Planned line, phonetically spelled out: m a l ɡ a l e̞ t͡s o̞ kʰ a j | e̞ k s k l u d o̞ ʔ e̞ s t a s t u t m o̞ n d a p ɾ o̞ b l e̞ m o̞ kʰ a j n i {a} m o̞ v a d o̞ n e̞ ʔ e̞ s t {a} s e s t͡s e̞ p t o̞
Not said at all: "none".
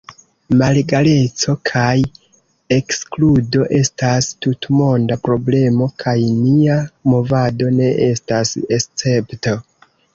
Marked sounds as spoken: a, a

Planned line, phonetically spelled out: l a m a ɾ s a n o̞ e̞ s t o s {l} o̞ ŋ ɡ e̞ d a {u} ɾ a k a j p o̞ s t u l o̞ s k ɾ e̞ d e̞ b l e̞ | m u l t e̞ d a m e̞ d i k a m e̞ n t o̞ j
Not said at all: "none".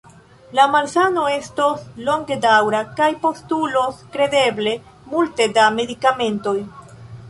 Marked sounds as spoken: l, w

